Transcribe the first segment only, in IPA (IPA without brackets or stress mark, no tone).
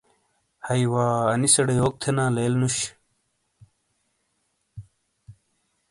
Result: h